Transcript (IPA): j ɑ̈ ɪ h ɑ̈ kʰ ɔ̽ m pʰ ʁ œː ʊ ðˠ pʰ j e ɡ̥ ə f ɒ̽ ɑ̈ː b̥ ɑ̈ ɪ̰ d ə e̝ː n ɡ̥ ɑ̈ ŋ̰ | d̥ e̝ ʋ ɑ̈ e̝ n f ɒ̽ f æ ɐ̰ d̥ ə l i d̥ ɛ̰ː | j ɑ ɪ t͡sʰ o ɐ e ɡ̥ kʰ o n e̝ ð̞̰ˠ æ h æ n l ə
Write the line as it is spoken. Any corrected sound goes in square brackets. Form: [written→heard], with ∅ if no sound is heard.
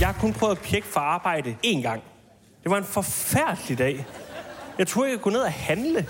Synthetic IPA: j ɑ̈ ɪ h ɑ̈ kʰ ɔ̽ [m→n] pʰ ʁ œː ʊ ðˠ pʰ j e ɡ̥ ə f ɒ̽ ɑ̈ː b̥ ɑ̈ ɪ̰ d ə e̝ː n ɡ̥ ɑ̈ ŋ̰ | d̥ e̝ ʋ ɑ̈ e̝ n f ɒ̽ f æ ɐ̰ d̥ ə l i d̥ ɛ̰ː | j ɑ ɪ t͡sʰ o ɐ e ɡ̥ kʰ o n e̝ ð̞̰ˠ æ h æ n l ə